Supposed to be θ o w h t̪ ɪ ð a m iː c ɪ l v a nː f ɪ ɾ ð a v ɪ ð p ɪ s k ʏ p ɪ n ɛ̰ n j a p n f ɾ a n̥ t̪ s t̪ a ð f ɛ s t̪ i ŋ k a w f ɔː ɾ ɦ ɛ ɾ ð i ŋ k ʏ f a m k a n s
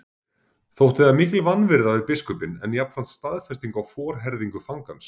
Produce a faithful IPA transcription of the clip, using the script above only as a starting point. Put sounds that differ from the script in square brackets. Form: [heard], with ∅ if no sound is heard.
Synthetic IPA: θ o w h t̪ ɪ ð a m iː c ɪ l v a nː [v] ɪ ɾ ð a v ɪ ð p ɪ s k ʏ p ɪ n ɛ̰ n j a p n f ɾ a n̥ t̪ s t̪ a ð f ɛ s t̪ i ŋ k a w f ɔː ɾ ɦ ɛ ɾ ð i ŋ k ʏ f a [ŋ] k a n s